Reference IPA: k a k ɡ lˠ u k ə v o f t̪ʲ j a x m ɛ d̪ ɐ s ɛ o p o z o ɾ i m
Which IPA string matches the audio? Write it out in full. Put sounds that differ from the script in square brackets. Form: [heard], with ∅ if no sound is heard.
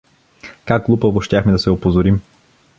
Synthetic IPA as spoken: k a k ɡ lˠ u [p] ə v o [ʃ] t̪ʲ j a x m ɛ d̪ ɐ s ɛ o p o z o ɾ i m

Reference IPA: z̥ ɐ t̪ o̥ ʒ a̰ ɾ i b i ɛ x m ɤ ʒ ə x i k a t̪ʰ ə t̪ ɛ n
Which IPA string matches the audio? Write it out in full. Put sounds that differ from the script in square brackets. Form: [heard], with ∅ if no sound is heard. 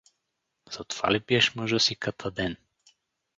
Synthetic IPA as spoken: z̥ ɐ t̪ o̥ [v] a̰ [l] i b i ɛ [ʃ] m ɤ ʒ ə [s] i k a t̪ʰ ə [d̪] ɛ n

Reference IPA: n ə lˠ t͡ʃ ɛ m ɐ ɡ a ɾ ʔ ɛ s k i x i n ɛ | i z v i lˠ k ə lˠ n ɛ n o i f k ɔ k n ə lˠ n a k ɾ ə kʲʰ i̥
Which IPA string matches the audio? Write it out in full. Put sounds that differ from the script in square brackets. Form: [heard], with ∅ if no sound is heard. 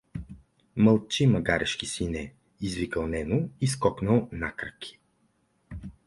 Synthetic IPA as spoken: [m] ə lˠ t͡ʃ [i] m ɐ ɡ a ɾ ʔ ɛ [ʃ] k i [s] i n ɛ | i z v i [∅] k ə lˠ n ɛ n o i [s] k ɔ k n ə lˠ n a k ɾ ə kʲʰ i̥

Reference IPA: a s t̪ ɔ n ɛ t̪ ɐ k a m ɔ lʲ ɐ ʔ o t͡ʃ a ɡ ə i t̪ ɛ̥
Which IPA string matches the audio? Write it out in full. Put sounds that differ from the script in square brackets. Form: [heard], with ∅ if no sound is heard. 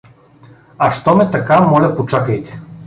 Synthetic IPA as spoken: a [ʃ] t̪ ɔ [m] ɛ t̪ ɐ k a m ɔ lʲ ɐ [p] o t͡ʃ a [k] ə [j] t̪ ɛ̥

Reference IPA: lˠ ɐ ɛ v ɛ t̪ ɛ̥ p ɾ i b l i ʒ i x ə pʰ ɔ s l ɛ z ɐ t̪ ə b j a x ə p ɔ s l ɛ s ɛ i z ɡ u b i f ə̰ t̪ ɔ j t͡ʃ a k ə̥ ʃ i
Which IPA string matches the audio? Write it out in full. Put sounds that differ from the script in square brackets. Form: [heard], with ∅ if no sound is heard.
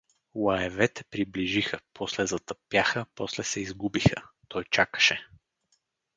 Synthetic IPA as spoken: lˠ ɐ ɛ v ɛ t̪ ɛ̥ p ɾ i b l i ʒ i x ə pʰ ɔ s l ɛ z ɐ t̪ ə [p] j a x ə p ɔ s l ɛ s ɛ i z ɡ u b i [x] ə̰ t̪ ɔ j t͡ʃ a k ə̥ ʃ [ɛ]

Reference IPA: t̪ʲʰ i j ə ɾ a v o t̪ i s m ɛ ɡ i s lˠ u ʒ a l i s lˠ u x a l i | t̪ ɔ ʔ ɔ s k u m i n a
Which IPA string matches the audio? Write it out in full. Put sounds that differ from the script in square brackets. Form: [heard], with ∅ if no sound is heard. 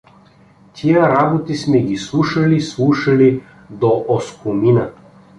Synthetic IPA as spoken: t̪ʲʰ i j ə ɾ a [b] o t̪ i s m ɛ ɡ i s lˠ u [ʃ] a l i s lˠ u [ʃ] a l i | [d̪] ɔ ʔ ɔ s k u m i n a

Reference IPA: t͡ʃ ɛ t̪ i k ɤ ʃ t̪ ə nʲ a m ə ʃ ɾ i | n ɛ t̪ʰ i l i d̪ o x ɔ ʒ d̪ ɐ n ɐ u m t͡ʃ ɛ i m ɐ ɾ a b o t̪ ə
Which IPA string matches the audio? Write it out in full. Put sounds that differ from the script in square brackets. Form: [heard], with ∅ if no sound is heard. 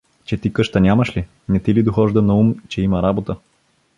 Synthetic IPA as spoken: t͡ʃ ɛ t̪ i k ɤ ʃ t̪ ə nʲ a m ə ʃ [l] i | n ɛ [t̪] i l i d̪ o x ɔ ʒ d̪ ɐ n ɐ u m t͡ʃ ɛ i m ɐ ɾ a b o t̪ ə

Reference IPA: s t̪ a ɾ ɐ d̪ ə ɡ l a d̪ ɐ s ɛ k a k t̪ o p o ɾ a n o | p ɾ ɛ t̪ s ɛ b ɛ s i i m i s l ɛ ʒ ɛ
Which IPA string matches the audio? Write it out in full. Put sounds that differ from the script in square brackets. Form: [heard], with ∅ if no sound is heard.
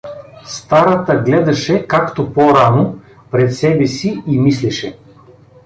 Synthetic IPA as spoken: s t̪ a ɾ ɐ [t̪] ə ɡ l [ɛ] d̪ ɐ [ʃ] ɛ k a k t̪ o p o ɾ a n o | p ɾ ɛ t̪ s ɛ b ɛ s i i m i s l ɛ [ʃ] ɛ

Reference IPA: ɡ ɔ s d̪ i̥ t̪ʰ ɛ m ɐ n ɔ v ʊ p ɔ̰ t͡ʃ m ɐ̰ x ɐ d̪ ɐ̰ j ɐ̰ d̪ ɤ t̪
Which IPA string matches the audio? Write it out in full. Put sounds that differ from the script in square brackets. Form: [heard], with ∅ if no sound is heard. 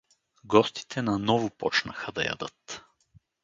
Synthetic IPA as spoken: ɡ ɔ s [t̪] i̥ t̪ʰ ɛ [n] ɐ n ɔ v ʊ p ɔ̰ t͡ʃ [n] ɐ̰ x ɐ d̪ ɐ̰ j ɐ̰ d̪ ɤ t̪

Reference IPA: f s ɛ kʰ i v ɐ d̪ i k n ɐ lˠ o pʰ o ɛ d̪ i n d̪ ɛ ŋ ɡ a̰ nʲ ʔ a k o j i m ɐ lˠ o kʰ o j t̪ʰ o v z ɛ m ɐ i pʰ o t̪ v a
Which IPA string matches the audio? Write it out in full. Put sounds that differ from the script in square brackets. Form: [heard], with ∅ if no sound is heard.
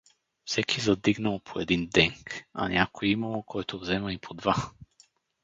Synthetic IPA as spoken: f s ɛ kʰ i [z] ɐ d̪ i [ɡ] n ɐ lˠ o pʰ o ɛ d̪ i n d̪ ɛ ŋ [k] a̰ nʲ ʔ a k o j i m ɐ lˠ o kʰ [ɔ] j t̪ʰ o v z ɛ m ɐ i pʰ o [d̪] v a

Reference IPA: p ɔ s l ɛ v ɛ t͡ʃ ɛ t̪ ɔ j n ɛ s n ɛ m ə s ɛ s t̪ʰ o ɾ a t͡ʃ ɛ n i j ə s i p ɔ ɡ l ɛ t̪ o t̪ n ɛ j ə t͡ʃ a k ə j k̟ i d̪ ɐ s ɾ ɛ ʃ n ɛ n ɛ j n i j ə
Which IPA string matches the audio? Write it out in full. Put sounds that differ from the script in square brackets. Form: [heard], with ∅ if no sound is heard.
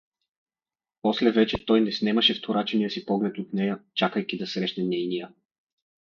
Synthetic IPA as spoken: p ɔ s l ɛ v ɛ t͡ʃ ɛ t̪ ɔ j n ɛ s n ɛ m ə [ʃ] ɛ [f] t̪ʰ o ɾ a t͡ʃ ɛ n i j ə s i p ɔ ɡ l ɛ t̪ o t̪ n ɛ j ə t͡ʃ a k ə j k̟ i d̪ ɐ s ɾ ɛ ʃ n ɛ n ɛ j n i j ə

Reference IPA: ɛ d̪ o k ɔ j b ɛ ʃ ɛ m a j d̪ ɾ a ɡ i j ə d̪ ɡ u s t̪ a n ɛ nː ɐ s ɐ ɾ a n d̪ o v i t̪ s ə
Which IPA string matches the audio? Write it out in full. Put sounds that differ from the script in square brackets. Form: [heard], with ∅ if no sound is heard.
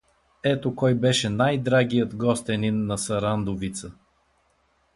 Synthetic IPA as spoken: ɛ [t̪] o k ɔ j b ɛ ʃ ɛ [n] a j d̪ ɾ a ɡ i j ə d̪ ɡ [ɔ] s t̪ [ɛ] n [i] nː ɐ s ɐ ɾ a n d̪ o v i t̪ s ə

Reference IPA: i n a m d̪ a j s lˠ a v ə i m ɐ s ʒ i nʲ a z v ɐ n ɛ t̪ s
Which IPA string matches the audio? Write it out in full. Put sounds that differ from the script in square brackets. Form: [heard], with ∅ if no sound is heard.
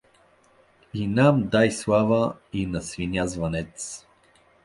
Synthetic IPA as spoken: i n a m d̪ a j s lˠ a v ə i [n] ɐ s [v] i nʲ a z v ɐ n ɛ t̪ s

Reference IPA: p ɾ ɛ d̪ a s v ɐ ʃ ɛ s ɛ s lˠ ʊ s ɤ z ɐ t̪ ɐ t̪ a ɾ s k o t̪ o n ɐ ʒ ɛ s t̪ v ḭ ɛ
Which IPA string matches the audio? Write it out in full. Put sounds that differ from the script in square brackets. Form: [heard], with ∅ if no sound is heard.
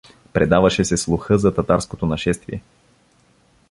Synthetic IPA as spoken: p ɾ ɛ d̪ a [∅] v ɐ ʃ ɛ s ɛ s lˠ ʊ [x] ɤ z ɐ t̪ ɐ t̪ a ɾ s k o t̪ o n ɐ [ʃ] ɛ s t̪ v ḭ ɛ

